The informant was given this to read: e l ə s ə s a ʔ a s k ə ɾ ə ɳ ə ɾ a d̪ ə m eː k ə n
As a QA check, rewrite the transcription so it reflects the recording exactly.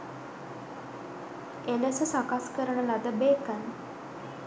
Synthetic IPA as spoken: e l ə s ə s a k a s k ə ɾ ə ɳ ə l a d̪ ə b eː k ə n

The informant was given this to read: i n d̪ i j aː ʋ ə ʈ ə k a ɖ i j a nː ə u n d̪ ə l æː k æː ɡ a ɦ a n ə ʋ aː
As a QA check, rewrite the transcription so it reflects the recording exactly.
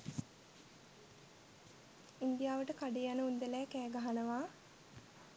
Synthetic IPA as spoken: i n d̪ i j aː ʋ ə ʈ ə k a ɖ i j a n ə u n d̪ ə l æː k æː ɡ a ɦ a n ə ʋ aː

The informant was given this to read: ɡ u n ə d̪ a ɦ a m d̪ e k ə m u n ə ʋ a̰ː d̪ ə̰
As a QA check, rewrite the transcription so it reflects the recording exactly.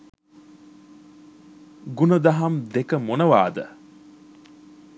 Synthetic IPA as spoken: ɡ u n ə d̪ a ɦ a m d̪ e k ə m o n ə ʋ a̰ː d̪ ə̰

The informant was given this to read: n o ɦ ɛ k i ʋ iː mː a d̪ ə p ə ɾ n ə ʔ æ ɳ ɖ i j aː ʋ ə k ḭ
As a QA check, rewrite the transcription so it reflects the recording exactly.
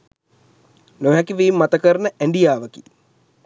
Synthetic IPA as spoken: n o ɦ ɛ k i ʋ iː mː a t̪ ə k ə ɾ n ə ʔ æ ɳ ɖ i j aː ʋ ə k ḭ

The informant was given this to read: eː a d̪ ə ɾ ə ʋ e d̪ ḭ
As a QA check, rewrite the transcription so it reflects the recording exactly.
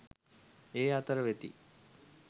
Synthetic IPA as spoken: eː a t̪ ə ɾ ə ʋ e t̪ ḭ

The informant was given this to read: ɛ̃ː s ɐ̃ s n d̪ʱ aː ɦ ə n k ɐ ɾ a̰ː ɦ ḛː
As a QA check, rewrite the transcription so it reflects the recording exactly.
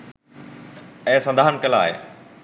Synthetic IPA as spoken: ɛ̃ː s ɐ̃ n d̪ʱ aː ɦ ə n k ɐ l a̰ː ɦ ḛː

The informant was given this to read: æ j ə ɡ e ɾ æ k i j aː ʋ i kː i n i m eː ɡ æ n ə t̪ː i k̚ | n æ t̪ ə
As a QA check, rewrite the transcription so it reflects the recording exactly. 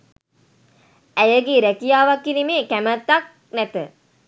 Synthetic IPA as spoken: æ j ə ɡ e ɾ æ k i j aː ʋ a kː i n i m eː k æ m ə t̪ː a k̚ | n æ t̪ ə

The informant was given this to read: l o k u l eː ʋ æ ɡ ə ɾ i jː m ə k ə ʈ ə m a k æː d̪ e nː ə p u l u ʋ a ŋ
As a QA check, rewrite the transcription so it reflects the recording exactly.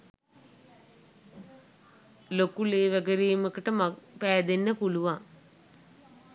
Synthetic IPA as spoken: l o k u l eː ʋ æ ɡ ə ɾ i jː m ə k ə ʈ ə m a p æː d̪ e nː ə p u l u ʋ a ŋ

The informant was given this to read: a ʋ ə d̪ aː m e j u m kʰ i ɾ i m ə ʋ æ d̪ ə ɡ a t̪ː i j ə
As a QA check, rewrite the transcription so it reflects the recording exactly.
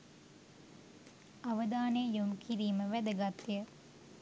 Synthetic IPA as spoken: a ʋ ə d̪ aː n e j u m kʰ i ɾ iː m ə ʋ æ d̪ ə ɡ a t̪ː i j ə

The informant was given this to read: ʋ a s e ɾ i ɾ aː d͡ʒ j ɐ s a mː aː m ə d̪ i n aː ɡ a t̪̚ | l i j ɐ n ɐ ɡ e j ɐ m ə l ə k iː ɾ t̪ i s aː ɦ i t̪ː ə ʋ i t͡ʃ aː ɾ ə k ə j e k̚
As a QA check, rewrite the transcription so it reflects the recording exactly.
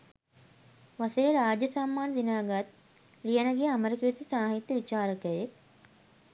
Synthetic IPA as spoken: ʋ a s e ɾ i ɾ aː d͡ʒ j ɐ s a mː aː n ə d̪ i n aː ɡ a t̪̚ | l i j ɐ n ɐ ɡ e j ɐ m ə ɾ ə k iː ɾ t̪ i s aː ɦ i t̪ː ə ʋ i t͡ʃ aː ɾ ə k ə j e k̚

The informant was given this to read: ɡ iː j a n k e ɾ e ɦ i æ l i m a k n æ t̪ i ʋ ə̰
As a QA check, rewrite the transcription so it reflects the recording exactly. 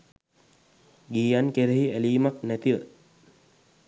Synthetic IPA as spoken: ɡ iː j a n k e ɾ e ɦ i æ l iː m a k n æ t̪ i ʋ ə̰

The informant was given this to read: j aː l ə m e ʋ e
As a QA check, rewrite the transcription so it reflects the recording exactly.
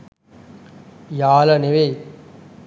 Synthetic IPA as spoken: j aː l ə n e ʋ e

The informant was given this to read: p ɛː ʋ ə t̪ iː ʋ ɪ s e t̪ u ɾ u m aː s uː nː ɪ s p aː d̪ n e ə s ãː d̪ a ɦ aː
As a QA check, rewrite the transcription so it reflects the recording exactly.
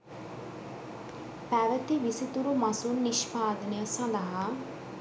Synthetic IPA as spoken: p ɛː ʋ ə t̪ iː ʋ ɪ s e t̪ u ɾ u m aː s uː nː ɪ ʃ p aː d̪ n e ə s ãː d̪ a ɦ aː

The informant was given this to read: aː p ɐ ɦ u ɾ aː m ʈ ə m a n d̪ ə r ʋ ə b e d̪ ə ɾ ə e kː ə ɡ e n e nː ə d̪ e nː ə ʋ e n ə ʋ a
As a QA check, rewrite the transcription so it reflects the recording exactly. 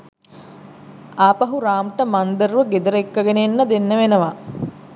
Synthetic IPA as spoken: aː p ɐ ɦ u ɾ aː m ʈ ə m a n d̪ ə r ʋ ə ɡ e d̪ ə ɾ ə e kː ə ɡ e n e nː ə d̪ e nː ə ʋ e n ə ʋ a

